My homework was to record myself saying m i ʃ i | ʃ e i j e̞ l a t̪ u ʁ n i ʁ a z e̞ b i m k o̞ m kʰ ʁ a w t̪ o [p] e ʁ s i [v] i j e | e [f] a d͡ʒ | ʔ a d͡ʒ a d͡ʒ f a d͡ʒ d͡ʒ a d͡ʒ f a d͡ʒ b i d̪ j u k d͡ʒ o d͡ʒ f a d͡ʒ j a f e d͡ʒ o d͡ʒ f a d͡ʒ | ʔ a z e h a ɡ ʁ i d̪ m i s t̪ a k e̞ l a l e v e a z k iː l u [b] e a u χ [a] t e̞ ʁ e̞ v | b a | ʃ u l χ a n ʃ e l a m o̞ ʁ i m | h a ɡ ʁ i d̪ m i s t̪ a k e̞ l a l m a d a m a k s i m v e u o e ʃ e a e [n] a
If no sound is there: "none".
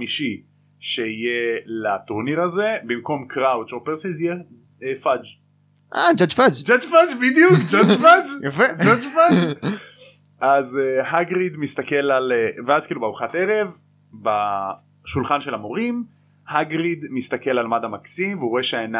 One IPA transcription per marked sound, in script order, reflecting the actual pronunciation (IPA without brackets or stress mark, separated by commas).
p, z, f, b, a, n